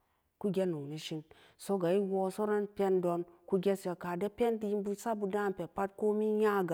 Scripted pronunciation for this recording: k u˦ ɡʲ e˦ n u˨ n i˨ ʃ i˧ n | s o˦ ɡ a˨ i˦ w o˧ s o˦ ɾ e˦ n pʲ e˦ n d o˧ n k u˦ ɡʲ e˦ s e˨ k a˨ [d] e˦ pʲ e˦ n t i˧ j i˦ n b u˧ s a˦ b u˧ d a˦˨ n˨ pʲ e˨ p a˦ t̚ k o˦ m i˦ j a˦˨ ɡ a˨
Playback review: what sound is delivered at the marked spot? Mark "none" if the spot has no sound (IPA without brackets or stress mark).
d